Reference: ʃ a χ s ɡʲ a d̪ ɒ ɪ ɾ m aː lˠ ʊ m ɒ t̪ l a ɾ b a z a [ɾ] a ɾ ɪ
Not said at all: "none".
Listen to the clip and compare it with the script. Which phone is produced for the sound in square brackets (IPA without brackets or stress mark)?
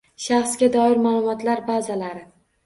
l